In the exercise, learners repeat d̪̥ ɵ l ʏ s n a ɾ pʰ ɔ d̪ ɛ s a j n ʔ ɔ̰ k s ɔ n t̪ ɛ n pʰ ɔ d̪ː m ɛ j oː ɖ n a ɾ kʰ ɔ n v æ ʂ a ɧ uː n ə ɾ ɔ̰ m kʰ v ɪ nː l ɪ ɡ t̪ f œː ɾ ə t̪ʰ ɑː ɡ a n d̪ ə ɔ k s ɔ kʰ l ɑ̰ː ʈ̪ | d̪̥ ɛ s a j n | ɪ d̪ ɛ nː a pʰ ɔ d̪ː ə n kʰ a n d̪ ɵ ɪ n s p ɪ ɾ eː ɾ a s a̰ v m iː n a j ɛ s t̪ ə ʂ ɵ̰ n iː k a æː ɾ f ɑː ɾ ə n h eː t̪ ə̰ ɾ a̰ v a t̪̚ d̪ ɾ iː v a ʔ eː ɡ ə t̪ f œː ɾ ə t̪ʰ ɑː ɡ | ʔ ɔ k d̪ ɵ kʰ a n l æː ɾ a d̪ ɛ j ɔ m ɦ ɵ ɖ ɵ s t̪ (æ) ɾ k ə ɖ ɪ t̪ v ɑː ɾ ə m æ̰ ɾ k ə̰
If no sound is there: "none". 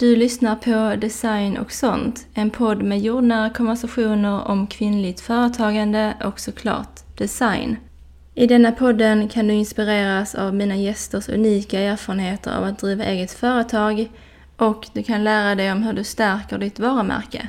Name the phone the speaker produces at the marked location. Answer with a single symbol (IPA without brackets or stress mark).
æ